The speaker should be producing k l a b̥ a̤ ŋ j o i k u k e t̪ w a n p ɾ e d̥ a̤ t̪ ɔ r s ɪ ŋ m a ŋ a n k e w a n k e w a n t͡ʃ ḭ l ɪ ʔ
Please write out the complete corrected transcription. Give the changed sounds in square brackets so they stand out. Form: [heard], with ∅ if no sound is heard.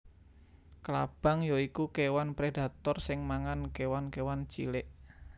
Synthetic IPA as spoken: k l a b̥ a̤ ŋ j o i k u k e [∅] w a n p ɾ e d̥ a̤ t̪ ɔ r s ɪ ŋ m a ŋ a n k e w a n k e w a n t͡ʃ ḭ l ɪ ʔ